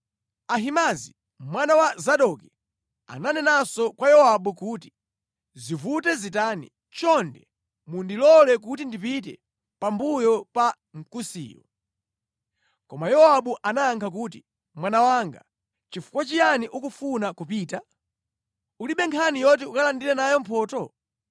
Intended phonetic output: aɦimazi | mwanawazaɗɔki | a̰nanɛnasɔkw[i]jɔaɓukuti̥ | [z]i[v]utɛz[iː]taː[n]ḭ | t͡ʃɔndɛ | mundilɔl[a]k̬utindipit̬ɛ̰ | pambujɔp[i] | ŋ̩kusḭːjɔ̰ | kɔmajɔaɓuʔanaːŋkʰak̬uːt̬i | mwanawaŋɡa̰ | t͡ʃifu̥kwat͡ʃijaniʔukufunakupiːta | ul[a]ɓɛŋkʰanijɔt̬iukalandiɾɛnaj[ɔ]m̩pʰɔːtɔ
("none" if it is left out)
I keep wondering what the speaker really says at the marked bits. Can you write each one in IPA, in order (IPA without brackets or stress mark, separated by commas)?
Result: a, z, v, i, n, ɛ, a, i, ɔ